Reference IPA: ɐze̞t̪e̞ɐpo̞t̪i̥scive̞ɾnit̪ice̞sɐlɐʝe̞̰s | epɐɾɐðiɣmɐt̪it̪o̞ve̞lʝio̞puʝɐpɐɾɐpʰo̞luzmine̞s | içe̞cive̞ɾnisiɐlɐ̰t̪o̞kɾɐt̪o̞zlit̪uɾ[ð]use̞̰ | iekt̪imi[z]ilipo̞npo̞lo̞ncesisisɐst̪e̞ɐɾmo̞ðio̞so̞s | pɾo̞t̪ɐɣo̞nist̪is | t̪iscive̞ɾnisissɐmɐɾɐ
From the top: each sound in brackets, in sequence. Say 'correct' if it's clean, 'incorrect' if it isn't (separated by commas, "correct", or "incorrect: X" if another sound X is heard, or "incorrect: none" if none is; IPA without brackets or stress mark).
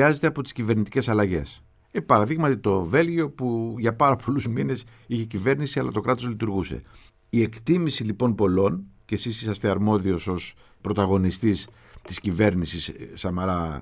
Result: incorrect: ɣ, incorrect: s